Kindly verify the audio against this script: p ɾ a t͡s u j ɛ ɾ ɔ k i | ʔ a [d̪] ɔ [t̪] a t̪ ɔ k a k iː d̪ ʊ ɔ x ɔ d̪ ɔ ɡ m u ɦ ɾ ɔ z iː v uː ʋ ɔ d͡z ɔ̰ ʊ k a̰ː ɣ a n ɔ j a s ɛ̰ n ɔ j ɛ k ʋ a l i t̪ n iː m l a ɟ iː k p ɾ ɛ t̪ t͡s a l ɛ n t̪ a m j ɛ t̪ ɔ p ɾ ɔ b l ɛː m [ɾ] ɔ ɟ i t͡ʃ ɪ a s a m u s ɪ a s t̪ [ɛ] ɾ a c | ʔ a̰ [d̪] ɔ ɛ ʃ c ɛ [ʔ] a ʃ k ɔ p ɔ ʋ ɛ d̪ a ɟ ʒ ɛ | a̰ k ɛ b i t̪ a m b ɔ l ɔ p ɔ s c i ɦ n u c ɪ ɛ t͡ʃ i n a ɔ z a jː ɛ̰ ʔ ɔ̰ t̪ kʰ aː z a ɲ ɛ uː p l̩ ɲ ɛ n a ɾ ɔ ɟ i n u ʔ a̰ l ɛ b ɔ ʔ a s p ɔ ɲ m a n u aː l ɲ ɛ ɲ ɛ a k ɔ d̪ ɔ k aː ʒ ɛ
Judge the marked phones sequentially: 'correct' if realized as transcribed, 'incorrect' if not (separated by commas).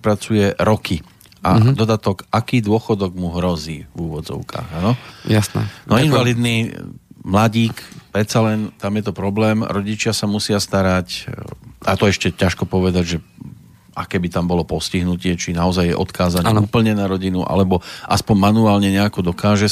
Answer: correct, incorrect, correct, incorrect, incorrect, incorrect